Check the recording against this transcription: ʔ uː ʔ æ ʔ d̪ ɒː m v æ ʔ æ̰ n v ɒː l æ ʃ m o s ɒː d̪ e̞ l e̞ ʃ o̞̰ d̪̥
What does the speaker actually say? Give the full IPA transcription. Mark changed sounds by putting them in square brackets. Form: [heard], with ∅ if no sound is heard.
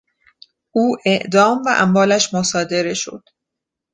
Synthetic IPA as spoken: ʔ uː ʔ [e] ʔ d̪ ɒː m v æ ʔ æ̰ [m] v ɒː l æ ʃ m o s ɒː d̪ e̞ [ɾ] e̞ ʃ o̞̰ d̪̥